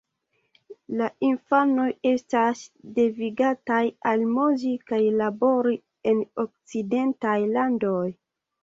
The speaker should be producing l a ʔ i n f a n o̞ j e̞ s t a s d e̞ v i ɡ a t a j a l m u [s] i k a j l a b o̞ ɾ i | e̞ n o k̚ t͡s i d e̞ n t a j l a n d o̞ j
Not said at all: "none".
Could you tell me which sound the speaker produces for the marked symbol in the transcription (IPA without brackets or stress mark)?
z